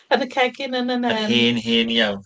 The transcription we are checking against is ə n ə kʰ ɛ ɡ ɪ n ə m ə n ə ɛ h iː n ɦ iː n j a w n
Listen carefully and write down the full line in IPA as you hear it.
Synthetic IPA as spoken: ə n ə kʰ ɛ ɡ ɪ n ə n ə n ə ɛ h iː n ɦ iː n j a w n